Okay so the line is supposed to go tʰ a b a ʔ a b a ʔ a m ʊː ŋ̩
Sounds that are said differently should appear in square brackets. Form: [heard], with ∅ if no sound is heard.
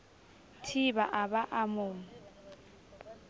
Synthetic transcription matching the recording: tʰ [i] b a ʔ a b a ʔ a m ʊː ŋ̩